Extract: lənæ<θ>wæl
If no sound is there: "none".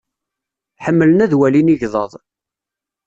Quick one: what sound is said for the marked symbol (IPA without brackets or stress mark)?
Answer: ð